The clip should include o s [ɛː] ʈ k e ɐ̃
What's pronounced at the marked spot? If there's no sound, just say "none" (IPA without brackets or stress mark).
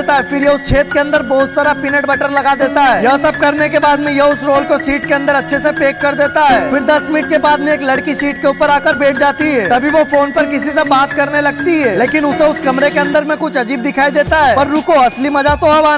iː